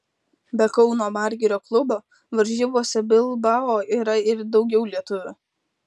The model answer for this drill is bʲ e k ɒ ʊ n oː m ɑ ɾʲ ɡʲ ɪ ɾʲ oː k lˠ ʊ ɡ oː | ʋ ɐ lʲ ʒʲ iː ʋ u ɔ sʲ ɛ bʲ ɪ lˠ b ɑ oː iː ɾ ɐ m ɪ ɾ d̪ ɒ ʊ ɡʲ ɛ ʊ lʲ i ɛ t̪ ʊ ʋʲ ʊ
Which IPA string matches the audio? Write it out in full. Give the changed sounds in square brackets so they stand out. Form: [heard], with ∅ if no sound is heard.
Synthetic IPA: bʲ [ɛ] k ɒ ʊ n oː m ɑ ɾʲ ɡʲ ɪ ɾʲ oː k lˠ ʊ [b] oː | ʋ ɐ [ɾʲ] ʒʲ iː ʋ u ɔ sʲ ɛ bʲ ɪ lˠ b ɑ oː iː ɾ ɐ [∅] ɪ ɾ d̪ ɒ ʊ ɡʲ ɛ ʊ lʲ i ɛ t̪ ʊ ʋʲ ʊ

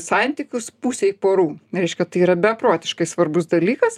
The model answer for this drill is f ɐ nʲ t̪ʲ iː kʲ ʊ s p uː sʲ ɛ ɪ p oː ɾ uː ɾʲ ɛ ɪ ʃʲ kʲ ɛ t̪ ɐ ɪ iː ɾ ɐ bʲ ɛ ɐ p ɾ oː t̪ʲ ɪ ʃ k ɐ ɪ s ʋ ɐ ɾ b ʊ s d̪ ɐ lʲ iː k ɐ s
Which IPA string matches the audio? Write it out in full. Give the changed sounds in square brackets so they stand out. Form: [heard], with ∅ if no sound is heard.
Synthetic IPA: [s] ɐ nʲ t̪ʲ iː kʲ ʊ s p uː sʲ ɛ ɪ p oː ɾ uː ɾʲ ɛ ɪ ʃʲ kʲ ɛ t̪ ɐ ɪ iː ɾ ɐ bʲ ɛ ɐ p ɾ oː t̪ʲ ɪ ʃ k ɐ ɪ s ʋ ɐ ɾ b ʊ s d̪ ɐ lʲ iː k ɐ s

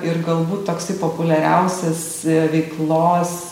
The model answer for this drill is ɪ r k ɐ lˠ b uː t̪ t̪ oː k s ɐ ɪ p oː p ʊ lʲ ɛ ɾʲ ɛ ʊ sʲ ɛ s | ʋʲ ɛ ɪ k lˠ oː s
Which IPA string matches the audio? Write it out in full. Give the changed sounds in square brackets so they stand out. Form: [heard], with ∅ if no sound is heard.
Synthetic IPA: ɪ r [ɡ] ɐ lˠ b uː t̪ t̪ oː k s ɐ ɪ p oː p ʊ lʲ ɛ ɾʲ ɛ ʊ sʲ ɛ s | ʋʲ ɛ ɪ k lˠ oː s

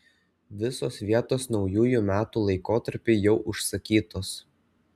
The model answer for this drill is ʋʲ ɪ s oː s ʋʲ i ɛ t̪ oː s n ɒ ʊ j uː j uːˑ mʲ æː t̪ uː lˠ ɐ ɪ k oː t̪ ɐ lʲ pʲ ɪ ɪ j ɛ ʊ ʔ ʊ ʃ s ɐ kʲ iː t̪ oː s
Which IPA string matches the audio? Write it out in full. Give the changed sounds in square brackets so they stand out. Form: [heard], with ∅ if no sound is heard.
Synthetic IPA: ʋʲ ɪ s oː s ʋʲ i ɛ t̪ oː s n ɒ ʊ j uː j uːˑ mʲ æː t̪ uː lˠ ɐ ɪ k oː t̪ ɐ [ɾʲ] pʲ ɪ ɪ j ɛ ʊ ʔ ʊ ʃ s ɐ kʲ iː t̪ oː s

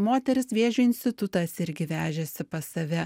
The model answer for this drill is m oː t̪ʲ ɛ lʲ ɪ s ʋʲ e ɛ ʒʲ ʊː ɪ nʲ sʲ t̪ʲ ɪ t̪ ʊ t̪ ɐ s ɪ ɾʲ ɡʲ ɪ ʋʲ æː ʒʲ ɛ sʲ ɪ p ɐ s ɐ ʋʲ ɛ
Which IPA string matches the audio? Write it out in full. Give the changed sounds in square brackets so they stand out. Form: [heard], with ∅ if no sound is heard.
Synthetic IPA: m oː t̪ʲ ɛ [ɾʲ] ɪ s ʋʲ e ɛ ʒʲ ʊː ɪ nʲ sʲ t̪ʲ ɪ t̪ ʊ t̪ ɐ s ɪ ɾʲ ɡʲ ɪ ʋʲ æː ʒʲ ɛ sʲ ɪ p ɐ s ɐ ʋʲ ɛ

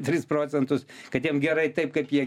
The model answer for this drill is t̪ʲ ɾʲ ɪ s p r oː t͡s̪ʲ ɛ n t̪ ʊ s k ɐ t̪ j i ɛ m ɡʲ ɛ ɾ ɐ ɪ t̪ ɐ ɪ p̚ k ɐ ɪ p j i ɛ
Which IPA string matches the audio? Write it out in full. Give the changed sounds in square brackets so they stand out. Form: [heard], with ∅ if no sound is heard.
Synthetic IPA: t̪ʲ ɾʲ ɪ s p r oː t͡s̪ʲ ɛ n t̪ ʊ s k ɐ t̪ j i ɛ m ɡʲ ɛ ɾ ɐ ɪ t̪ ɐ ɪ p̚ k ɐ ɪ p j i ɛ

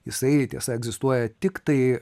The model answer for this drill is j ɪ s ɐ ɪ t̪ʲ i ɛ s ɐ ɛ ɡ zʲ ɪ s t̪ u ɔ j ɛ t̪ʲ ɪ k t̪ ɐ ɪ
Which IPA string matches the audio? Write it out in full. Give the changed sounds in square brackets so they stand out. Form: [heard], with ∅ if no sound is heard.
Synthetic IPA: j ɪ s ɐ ɪ t̪ʲ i ɛ s ɐ ɛ ɡ zʲ ɪ s t̪ u ɔ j ɛ t̪ʲ ɪ k t̪ ɐ ɪ

